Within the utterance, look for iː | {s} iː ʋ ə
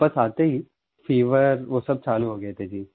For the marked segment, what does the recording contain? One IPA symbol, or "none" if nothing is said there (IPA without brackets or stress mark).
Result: f